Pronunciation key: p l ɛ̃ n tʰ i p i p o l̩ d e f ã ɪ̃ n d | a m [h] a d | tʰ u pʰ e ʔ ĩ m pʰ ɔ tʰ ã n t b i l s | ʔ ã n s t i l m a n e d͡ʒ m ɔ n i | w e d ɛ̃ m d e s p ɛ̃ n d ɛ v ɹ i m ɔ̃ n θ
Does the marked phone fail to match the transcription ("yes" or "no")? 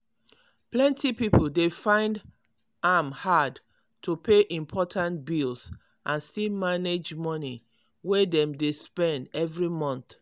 no